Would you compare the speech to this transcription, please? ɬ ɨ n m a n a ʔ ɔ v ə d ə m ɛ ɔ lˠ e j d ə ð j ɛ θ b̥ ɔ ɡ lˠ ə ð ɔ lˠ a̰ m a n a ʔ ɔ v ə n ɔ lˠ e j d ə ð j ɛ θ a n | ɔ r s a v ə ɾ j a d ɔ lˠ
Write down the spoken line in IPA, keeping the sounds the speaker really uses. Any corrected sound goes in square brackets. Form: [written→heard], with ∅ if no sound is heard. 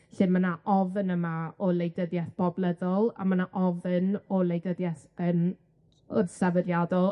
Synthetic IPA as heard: ɬ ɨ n m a n a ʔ ɔ v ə [d→n] ə m [ɛ→a] ɔ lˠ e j d ə ð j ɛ θ b̥ ɔ [ɡ→b] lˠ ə ð ɔ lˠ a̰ m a n a ʔ ɔ v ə n ɔ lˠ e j d ə ð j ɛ θ [a→ə] n | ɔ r s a v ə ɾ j a d ɔ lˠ